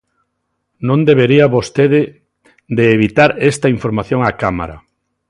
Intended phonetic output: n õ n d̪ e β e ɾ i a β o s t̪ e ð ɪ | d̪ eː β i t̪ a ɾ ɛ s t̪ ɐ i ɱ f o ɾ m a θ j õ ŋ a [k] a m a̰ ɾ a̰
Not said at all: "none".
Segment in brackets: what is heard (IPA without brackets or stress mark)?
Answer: k